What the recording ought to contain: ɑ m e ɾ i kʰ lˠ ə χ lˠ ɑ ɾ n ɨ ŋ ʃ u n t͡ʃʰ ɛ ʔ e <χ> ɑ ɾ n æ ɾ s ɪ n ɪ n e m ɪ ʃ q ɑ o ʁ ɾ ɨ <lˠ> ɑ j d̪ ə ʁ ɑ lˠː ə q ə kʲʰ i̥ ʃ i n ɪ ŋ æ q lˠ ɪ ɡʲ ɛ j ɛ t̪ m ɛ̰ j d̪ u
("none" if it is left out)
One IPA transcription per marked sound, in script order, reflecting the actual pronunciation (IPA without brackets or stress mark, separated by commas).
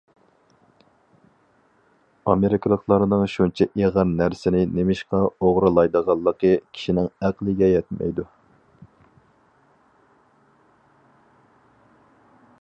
ʁ, lˠ